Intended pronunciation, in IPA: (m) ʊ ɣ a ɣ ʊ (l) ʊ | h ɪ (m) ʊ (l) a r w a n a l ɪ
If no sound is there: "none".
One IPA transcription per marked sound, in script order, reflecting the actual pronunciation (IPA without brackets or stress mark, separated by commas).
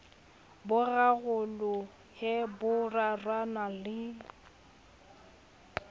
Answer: b, l, b, r